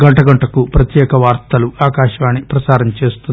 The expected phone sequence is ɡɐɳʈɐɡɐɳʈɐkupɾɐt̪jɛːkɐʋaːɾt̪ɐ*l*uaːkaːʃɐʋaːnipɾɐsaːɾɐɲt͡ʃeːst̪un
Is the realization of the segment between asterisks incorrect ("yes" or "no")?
no